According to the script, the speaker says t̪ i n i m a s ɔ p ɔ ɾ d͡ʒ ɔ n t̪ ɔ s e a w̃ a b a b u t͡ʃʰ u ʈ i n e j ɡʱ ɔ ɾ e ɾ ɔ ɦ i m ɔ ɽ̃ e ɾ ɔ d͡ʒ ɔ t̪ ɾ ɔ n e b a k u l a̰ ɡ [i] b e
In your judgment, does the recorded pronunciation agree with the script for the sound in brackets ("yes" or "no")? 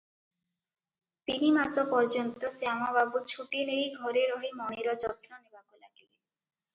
yes